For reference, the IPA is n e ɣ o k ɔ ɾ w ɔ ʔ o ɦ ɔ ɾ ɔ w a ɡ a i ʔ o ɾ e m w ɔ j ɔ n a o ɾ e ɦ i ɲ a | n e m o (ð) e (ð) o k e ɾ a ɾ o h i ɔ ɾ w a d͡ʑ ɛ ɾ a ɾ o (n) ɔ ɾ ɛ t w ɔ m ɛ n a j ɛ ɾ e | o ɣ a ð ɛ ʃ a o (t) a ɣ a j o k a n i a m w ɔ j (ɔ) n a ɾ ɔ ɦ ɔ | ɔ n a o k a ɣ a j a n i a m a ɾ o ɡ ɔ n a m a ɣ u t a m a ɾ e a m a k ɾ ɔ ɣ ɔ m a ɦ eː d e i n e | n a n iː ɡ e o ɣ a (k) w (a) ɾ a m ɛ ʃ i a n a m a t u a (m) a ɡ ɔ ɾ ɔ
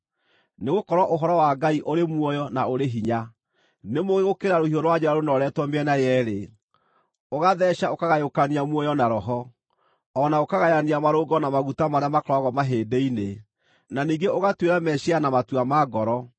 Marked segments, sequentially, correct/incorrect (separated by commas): incorrect, incorrect, correct, incorrect, correct, incorrect, incorrect, correct